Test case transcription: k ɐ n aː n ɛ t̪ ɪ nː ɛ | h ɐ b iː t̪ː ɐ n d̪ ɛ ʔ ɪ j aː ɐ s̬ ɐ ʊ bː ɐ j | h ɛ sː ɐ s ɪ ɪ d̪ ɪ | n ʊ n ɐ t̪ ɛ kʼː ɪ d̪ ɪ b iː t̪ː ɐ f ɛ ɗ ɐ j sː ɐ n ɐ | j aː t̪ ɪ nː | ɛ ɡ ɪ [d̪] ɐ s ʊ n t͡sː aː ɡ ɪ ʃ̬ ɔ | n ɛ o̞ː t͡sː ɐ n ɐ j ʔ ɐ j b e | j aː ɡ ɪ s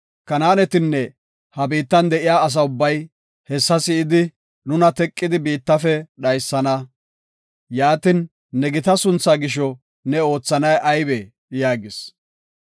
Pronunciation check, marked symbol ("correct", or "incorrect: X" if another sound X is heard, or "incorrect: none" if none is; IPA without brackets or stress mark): incorrect: t̪